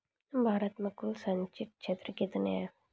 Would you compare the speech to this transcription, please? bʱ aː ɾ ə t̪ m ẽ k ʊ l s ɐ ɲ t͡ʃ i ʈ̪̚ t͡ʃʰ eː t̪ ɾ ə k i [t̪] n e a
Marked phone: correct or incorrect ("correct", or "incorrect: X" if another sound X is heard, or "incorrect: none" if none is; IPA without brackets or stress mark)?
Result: correct